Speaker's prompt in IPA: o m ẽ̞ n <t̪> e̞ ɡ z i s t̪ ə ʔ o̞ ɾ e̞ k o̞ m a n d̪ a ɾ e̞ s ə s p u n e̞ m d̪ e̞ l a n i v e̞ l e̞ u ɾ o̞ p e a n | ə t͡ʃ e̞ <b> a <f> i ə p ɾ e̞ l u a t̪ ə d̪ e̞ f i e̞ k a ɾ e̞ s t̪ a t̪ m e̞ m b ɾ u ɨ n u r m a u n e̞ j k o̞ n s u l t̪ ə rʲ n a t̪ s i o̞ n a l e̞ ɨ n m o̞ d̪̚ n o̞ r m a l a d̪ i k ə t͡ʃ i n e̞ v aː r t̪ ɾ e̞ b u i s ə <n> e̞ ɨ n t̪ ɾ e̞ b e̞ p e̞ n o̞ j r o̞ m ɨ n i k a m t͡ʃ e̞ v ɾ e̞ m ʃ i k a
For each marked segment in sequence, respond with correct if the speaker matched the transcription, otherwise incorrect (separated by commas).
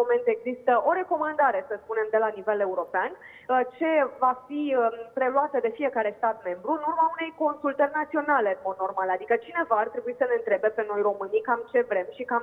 correct, incorrect, correct, correct